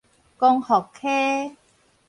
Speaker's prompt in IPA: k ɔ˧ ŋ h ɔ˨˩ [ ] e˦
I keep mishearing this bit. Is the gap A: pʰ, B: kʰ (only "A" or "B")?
B